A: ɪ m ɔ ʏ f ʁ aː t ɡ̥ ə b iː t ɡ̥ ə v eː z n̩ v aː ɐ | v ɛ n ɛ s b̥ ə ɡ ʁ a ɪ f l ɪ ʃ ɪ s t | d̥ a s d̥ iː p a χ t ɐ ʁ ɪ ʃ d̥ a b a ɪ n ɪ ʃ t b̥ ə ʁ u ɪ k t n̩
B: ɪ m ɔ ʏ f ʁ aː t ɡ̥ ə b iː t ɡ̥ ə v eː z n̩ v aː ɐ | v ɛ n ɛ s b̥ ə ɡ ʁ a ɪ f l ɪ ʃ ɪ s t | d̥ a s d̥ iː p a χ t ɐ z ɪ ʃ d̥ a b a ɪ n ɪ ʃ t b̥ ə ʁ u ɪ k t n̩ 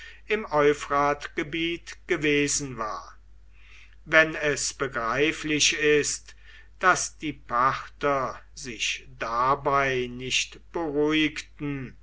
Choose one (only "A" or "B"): B